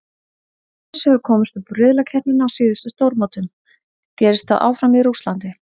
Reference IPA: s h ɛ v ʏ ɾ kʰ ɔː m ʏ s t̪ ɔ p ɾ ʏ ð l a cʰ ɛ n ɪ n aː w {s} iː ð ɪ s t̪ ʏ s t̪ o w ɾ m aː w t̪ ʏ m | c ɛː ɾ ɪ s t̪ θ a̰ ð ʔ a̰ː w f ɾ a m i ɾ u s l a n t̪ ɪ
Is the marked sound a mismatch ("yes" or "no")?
no